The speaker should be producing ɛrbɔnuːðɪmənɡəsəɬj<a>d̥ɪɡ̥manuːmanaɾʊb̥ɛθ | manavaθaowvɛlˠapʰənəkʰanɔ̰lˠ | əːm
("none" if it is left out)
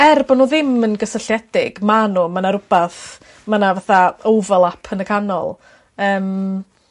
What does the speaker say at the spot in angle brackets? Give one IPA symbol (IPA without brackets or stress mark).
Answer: ɛ